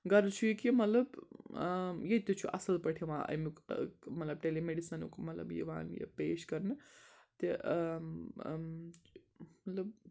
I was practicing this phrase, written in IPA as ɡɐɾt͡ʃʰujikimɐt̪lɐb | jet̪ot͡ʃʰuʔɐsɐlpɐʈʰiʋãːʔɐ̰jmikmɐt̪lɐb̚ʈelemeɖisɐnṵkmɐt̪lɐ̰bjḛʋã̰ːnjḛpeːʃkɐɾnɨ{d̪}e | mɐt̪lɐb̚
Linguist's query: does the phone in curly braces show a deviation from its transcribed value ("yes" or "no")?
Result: yes